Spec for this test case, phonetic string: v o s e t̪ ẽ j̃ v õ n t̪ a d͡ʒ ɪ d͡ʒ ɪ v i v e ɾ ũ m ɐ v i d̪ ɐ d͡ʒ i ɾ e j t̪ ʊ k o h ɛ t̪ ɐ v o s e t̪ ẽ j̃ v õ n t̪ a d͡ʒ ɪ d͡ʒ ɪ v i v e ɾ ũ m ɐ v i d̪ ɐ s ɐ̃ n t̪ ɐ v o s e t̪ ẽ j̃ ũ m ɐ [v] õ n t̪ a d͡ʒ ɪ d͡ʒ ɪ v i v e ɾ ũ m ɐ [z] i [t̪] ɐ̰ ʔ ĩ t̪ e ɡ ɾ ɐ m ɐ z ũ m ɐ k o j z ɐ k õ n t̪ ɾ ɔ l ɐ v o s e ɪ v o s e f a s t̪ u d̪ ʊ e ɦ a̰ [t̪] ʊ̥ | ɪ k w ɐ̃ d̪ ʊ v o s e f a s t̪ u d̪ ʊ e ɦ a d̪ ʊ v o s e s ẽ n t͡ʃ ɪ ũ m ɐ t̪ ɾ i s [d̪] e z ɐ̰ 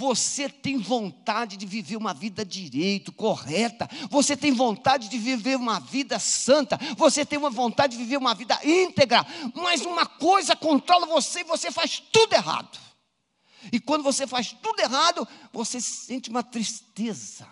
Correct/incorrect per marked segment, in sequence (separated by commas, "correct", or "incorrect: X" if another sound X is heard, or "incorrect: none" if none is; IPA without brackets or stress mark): correct, incorrect: v, incorrect: d̪, incorrect: d̪, incorrect: t̪